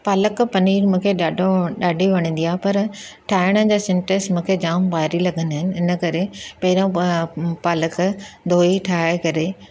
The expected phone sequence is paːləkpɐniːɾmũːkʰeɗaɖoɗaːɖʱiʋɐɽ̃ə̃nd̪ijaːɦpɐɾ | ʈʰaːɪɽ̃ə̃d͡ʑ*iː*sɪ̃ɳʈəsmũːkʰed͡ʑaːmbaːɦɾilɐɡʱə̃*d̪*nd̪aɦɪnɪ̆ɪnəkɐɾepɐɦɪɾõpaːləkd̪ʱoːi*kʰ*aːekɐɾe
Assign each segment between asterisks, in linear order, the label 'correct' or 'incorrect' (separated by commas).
incorrect, incorrect, incorrect